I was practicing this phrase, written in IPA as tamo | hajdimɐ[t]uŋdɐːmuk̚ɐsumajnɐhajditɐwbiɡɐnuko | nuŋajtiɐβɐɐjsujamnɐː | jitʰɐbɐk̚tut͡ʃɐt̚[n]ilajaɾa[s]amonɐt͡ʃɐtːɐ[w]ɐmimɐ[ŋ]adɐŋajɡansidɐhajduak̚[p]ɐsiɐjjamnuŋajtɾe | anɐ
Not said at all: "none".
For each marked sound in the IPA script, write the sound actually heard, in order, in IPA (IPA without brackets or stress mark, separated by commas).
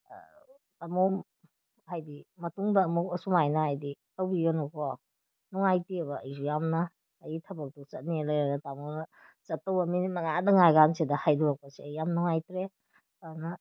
t, n, t, w, ŋ, p